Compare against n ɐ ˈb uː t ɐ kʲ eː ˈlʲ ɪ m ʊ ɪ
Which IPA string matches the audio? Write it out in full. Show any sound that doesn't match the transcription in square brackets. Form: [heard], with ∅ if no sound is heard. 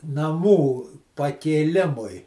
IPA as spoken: n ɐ [ˈm] uː [p] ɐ kʲ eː ˈlʲ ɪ m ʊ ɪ

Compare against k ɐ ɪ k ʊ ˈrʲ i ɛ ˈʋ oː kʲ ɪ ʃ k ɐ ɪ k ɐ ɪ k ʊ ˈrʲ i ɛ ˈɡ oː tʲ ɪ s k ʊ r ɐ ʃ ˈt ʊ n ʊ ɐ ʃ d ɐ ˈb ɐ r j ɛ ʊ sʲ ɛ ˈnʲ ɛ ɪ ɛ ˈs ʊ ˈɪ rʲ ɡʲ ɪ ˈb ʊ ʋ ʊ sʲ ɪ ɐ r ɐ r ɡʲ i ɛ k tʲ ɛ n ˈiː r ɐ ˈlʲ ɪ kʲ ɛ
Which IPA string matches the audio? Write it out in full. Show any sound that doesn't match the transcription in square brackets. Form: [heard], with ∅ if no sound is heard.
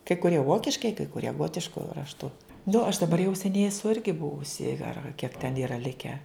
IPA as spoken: k ɐ ɪ k ʊ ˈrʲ i ɛ ˈʋ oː kʲ ɪ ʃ k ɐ ɪ k ɐ ɪ k ʊ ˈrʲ i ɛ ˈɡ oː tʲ ɪ [ʃ] k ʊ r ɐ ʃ ˈt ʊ n ʊ ɐ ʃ d ɐ ˈb ɐ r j ɛ ʊ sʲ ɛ ˈnʲ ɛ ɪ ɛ ˈs ʊ ˈɪ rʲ ɡʲ ɪ ˈb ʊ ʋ ʊ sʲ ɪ ɐ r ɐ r [kʲ] i ɛ k tʲ ɛ n ˈiː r ɐ ˈlʲ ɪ kʲ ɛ

